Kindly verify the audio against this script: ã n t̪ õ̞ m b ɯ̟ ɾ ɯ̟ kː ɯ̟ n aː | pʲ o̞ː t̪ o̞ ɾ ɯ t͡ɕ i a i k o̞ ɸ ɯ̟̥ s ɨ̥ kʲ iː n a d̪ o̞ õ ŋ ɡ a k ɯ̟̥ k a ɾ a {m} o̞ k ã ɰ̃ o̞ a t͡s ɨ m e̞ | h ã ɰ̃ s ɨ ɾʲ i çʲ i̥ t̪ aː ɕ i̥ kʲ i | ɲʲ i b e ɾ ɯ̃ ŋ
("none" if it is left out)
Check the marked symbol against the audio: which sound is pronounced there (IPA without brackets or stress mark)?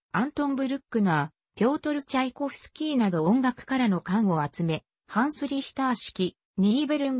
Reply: n